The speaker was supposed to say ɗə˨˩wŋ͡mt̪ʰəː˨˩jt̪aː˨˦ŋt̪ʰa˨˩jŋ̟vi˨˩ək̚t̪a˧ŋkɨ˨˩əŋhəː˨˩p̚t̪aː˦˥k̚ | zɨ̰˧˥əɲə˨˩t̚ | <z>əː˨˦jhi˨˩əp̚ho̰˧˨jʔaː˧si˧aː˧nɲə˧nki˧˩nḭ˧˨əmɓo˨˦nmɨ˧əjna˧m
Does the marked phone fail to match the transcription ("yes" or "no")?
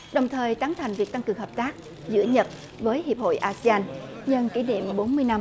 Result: yes